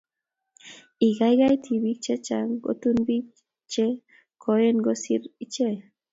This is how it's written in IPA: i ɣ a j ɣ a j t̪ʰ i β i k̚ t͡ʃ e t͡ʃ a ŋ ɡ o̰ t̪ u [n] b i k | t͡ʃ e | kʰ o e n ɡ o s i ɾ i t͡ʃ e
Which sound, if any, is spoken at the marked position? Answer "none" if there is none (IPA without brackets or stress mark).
n